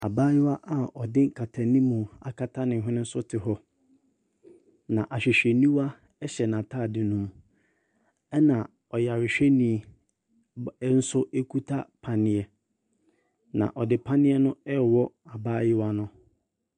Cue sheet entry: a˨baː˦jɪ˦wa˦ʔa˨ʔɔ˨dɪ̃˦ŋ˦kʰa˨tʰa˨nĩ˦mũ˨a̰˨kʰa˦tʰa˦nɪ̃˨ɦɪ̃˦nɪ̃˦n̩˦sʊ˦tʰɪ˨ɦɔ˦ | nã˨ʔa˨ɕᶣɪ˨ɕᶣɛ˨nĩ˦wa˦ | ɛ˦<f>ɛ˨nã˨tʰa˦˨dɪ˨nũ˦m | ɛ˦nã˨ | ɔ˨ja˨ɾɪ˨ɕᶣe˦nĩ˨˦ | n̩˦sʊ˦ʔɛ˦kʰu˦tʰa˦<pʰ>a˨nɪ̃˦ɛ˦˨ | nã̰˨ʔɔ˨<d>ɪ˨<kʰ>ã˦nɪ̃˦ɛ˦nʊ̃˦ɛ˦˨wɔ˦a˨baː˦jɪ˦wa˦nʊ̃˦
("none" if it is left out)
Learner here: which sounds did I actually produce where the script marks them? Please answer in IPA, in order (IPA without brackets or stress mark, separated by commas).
ɕ, pʰ, d, pʰ